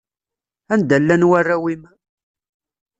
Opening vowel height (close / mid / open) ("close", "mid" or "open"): open